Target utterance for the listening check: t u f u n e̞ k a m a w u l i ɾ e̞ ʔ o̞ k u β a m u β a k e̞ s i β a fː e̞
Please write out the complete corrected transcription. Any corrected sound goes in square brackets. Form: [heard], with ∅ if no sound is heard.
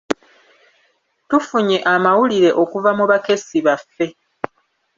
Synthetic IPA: t u f u [ɲ] e̞ [ʔ] a m a w u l i ɾ e̞ ʔ o̞ k u [v] a m u β a k e̞ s i β a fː e̞